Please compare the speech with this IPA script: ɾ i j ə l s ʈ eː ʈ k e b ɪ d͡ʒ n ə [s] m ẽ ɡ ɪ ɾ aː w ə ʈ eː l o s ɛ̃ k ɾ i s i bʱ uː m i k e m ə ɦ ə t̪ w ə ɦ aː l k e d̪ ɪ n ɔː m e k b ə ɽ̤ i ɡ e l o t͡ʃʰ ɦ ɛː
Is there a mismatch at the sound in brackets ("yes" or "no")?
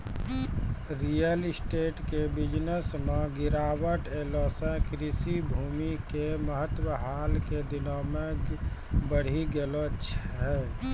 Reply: no